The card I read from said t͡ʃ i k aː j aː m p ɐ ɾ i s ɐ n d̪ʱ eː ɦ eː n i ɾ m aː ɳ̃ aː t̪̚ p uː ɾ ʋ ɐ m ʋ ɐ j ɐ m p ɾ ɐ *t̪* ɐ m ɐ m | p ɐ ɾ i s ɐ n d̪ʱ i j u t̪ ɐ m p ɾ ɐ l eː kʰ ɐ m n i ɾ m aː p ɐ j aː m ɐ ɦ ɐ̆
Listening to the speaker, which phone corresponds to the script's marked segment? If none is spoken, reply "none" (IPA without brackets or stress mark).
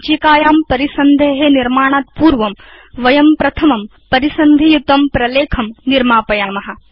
t̪ʰ